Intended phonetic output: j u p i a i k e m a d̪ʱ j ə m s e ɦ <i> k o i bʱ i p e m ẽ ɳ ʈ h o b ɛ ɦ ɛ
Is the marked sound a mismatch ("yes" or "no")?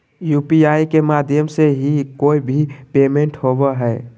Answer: no